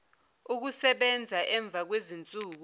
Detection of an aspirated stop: absent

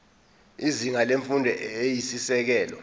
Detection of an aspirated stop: absent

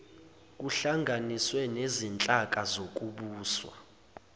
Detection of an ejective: present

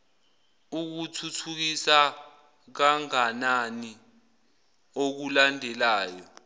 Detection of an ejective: absent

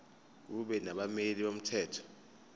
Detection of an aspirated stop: present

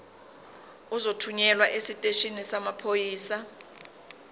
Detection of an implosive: absent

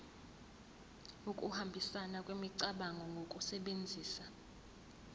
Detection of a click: present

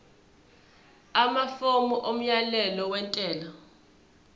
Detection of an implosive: absent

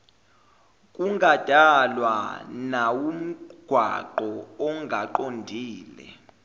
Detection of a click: present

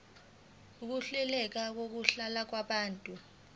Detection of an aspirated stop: absent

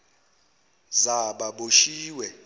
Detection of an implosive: present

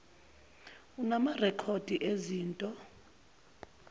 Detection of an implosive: absent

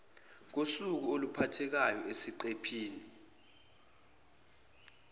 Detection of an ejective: absent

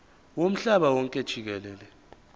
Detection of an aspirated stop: absent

